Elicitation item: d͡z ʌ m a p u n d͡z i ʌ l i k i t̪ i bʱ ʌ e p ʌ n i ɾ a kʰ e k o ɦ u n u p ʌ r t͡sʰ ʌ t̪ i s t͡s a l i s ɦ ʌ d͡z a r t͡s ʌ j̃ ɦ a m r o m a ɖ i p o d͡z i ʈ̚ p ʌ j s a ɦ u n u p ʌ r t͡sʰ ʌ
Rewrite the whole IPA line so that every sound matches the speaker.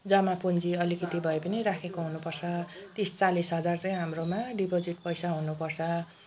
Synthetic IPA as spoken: d͡z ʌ m a p u n d͡z i ʌ l i k i t̪ i bʱ ʌ e p ʌ n i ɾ a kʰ e k o ɦ u n u p ʌ r t͡sʰ ʌ t̪ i s t͡s a l i s ɦ ʌ d͡z a r t͡s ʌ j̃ ɦ a m r o m a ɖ i p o d͡z i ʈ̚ p ʌ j s a ɦ u n u p ʌ r t͡sʰ ʌ